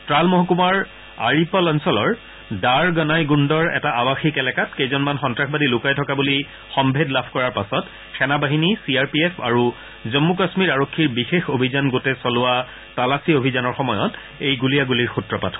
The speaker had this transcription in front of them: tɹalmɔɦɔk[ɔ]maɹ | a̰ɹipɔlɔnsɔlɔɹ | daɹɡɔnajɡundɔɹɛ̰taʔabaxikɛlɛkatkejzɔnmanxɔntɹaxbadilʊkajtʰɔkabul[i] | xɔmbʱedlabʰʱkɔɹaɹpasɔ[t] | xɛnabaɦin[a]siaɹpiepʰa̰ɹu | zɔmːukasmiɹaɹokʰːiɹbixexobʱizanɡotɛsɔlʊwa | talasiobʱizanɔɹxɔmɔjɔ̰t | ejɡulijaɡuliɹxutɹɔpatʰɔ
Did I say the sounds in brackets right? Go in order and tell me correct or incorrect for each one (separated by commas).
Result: incorrect, correct, correct, incorrect